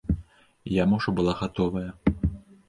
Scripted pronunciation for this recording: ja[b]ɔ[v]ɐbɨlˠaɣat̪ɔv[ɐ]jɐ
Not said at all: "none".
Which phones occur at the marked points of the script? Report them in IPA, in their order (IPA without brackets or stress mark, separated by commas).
m, ʐ, ɐ